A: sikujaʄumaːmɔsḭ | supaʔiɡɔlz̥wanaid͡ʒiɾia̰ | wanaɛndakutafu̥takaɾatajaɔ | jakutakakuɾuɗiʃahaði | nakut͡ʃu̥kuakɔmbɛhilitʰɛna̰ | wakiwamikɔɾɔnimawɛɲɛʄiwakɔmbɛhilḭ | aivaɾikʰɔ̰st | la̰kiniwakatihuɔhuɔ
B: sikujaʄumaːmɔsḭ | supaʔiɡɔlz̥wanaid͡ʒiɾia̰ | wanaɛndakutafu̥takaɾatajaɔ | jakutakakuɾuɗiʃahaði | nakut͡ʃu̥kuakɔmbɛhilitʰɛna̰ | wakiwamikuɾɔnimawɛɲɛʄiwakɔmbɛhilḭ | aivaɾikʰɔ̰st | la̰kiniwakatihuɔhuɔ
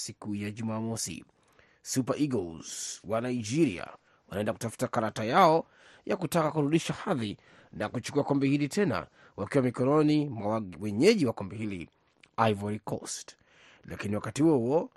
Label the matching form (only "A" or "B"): A